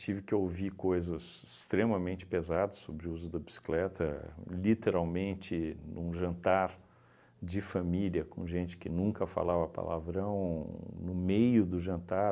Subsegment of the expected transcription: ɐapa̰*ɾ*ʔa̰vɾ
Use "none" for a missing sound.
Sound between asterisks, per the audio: l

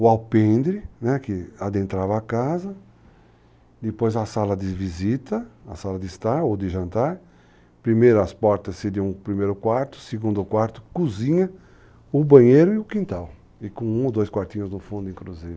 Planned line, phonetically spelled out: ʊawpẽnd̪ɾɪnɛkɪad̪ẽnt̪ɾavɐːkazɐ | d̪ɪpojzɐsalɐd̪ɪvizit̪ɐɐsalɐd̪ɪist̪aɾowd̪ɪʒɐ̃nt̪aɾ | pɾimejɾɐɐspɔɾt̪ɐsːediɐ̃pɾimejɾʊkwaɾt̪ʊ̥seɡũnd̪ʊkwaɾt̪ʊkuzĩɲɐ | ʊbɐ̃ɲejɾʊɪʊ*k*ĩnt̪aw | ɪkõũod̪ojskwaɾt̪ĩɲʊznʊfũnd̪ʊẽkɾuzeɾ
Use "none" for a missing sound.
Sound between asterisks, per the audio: k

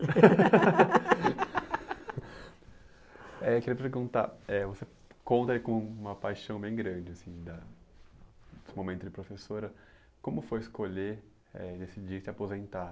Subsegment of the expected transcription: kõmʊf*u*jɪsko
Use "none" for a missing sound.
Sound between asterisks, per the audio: o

